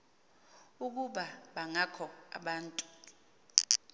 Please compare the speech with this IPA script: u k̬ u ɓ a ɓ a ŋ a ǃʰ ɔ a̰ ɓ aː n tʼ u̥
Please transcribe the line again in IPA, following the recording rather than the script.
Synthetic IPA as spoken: u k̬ u ɓ a ɓ a ŋ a kʰ ɔ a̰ ɓ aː n tʼ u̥